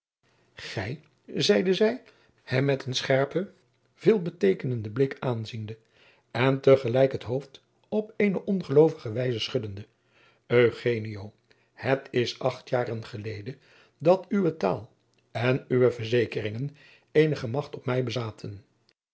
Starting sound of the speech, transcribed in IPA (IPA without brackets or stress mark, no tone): χ